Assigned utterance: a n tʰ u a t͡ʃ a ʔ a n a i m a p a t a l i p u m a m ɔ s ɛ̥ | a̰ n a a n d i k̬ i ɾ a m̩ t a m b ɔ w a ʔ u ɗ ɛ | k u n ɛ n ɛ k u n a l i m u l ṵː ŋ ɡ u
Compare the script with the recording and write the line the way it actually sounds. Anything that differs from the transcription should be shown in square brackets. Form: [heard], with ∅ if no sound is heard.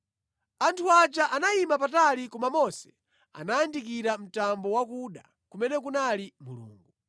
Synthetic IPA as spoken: a n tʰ u a t͡ʃ a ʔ a n a i m a p a t a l i [k] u m a m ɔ s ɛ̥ | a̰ n a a n d i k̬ i ɾ a m̩ t a m b ɔ w a [k] u ɗ [a] | k u [m] ɛ n ɛ k u n a l i m u l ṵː ŋ ɡ u